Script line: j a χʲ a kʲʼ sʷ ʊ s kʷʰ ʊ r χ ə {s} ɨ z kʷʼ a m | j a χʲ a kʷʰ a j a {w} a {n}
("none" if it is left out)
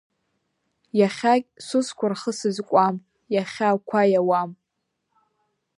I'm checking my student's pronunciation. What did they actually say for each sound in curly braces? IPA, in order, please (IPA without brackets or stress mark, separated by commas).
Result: s, w, m